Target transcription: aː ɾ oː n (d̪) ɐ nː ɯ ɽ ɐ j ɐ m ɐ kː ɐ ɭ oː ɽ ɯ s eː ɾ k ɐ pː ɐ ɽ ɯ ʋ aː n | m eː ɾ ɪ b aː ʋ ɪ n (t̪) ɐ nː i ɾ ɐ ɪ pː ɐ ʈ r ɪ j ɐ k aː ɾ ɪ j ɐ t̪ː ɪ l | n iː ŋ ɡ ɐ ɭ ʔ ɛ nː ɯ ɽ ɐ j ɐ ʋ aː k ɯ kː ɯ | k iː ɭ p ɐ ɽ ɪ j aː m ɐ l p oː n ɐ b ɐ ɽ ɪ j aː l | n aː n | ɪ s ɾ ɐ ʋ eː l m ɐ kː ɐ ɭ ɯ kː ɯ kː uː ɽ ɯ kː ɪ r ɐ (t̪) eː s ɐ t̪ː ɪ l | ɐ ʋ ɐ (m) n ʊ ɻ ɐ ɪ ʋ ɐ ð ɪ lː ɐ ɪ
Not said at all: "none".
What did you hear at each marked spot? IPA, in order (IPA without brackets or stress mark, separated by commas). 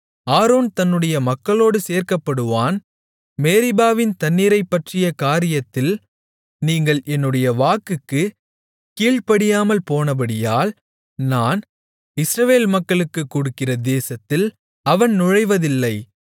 t̪, t̪, d̪, n